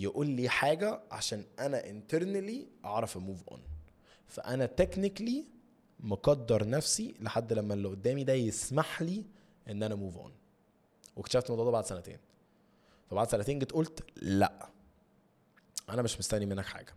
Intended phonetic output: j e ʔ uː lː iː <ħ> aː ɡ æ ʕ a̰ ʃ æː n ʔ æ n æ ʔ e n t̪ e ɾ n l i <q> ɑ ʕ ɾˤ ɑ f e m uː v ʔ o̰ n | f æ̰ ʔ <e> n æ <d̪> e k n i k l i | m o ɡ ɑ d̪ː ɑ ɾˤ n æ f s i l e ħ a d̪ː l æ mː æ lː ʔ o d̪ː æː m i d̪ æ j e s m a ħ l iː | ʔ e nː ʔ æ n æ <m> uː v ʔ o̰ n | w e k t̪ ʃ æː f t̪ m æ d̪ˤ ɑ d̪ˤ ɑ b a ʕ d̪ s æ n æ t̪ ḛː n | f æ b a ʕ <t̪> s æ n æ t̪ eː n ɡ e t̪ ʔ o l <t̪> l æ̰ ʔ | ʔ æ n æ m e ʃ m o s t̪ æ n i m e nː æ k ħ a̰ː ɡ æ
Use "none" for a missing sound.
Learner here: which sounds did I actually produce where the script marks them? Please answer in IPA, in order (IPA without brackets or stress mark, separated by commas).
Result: ħ, ʔ, æ, t̪, m, d̪, t̪